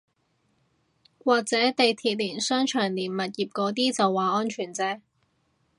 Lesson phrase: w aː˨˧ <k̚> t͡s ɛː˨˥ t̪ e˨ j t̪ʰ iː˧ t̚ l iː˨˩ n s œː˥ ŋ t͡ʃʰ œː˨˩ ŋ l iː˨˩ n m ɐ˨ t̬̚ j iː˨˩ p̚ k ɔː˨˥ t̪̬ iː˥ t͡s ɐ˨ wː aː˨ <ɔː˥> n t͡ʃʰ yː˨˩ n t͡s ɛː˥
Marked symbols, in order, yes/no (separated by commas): yes, yes